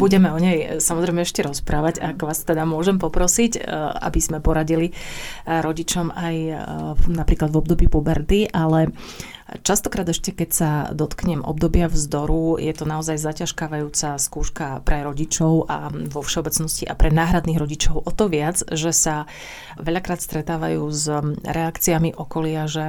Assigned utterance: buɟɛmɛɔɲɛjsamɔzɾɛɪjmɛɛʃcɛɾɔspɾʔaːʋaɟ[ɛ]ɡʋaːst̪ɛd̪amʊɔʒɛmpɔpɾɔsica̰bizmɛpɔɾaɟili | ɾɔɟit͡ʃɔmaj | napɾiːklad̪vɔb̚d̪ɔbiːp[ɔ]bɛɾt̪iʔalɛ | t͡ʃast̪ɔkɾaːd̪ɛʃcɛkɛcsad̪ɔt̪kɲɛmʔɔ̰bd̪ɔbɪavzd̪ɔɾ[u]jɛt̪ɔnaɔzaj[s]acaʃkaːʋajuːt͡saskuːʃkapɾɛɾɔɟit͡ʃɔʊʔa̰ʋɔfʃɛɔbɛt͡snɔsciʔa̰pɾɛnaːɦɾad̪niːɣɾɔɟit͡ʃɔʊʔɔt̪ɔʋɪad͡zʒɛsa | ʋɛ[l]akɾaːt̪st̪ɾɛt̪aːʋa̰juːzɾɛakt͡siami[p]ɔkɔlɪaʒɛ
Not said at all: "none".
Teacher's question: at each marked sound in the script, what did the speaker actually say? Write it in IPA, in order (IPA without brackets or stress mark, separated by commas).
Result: a, u, u, z, ʎ, ʔ